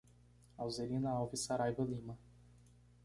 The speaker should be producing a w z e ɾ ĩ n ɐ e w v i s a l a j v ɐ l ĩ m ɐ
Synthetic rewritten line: a w z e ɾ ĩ n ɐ a w v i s a ɾ a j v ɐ l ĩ m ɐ